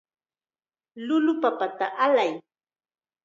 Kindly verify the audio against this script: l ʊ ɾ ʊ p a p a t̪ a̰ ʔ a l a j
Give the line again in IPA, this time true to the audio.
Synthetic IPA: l ʊ l ʊ p a p a t̪ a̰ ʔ a l a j